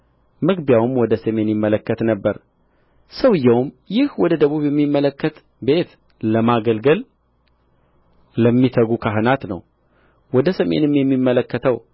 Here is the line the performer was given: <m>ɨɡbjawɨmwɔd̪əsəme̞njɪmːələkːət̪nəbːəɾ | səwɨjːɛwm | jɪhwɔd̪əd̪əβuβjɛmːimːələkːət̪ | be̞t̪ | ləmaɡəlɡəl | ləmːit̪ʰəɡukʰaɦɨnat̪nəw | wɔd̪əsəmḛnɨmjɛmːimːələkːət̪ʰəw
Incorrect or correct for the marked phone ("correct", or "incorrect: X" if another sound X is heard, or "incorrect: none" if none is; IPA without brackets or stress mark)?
correct